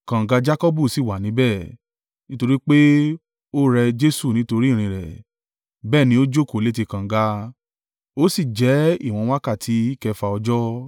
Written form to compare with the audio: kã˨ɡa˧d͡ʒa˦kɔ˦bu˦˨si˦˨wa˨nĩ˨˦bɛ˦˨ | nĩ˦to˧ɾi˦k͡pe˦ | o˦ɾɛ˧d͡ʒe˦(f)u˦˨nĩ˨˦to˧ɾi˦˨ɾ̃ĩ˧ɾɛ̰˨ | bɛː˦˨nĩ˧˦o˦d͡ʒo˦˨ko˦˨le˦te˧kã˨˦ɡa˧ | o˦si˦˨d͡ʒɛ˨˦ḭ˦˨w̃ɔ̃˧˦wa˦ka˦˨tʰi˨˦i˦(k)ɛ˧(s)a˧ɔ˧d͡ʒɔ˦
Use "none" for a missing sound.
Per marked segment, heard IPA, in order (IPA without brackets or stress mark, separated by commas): s, k, f